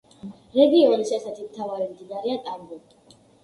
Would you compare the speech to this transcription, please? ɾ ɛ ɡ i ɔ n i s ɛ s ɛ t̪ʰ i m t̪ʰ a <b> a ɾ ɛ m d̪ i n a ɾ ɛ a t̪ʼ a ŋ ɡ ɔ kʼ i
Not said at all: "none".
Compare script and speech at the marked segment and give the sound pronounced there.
v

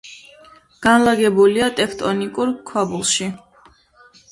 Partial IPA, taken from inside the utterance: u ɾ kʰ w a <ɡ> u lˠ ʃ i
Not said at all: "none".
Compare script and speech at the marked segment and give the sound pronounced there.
b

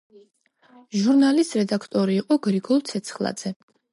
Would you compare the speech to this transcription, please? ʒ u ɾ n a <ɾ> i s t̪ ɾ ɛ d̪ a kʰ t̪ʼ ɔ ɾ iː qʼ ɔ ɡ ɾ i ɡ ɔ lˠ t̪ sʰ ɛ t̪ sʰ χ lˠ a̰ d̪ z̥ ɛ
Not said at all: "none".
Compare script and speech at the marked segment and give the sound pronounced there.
l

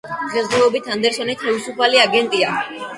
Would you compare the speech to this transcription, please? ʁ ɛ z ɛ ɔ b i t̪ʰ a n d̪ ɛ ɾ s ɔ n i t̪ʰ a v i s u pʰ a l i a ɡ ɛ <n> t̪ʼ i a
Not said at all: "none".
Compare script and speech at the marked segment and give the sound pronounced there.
n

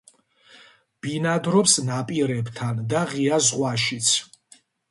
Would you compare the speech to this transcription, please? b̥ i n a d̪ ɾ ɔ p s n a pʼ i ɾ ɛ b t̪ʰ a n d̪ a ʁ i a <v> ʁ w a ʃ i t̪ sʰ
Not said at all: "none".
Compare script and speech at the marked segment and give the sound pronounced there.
z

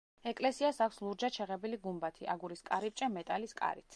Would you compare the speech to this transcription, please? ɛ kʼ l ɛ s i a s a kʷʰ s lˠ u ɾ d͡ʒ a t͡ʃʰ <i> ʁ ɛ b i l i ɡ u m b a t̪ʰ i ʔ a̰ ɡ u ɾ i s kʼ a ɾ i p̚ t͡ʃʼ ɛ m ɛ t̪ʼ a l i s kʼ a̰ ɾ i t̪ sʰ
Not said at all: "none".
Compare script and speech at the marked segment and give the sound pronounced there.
ɛ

